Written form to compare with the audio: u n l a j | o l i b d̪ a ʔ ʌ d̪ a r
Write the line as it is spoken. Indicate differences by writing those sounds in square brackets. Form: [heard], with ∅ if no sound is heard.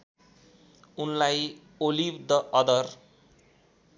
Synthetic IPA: u n l a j | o l i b d̪ [ʌ] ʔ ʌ d̪ [ʌ] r